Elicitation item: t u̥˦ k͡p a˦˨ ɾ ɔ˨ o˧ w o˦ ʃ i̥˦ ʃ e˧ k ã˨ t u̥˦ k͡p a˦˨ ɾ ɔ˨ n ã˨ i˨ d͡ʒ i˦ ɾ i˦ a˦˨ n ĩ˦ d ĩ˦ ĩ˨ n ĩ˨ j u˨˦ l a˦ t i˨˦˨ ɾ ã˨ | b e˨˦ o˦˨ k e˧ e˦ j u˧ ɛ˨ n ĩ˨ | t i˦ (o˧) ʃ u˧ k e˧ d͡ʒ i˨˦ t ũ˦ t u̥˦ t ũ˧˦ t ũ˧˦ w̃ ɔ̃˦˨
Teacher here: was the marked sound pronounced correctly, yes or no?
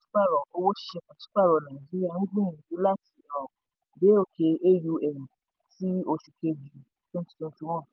yes